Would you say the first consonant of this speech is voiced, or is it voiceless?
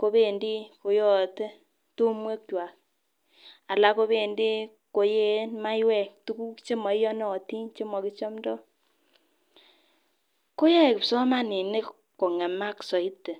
voiceless